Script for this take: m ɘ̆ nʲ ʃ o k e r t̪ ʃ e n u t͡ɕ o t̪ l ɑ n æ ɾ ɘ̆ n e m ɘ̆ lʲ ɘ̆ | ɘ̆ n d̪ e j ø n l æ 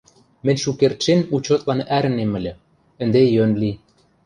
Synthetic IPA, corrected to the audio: m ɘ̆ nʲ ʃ u k e r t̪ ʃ e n u t͡ɕ o t̪ l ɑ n æ ɾ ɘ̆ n e m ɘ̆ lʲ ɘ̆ | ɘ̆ n d̪ e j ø n l i